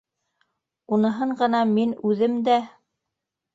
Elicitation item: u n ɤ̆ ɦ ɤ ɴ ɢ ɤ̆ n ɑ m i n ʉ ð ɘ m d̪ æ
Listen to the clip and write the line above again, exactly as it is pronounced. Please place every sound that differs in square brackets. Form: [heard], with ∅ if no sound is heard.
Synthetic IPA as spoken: u n ɤ̆ ɦ ɤ ɴ ɢ ɤ̆ n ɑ m i n ʉ ð ɘ m d̪ æ